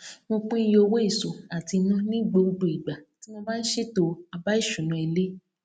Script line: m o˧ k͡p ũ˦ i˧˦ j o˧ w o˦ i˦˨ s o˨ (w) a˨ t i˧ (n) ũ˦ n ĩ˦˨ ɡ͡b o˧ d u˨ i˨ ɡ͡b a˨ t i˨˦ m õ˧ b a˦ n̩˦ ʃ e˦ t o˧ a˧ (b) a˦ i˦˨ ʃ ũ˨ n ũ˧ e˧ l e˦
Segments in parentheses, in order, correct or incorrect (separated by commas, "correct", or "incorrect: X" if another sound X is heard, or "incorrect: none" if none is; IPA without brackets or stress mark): incorrect: none, correct, correct